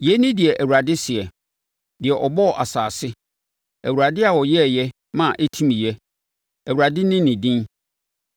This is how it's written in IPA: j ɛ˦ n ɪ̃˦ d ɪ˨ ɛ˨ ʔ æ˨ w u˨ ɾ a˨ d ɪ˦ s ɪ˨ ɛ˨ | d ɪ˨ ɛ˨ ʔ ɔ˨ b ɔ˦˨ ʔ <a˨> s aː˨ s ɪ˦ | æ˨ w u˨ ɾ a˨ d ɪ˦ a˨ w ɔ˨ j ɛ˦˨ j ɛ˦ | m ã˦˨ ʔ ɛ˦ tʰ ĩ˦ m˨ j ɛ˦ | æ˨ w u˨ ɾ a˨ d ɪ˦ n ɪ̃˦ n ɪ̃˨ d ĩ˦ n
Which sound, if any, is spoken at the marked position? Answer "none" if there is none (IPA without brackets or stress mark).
a˨